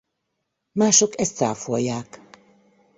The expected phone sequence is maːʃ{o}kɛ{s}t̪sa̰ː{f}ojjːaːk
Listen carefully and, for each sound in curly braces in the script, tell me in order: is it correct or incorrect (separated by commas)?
correct, correct, correct